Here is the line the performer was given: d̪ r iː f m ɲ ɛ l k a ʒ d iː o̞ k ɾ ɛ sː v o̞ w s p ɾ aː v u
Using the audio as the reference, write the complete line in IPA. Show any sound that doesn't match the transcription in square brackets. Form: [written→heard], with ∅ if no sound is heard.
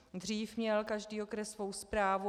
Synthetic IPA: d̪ r iː f m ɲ ɛ l k a ʒ d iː o̞ k ɾ ɛ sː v o̞ w s p ɾ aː v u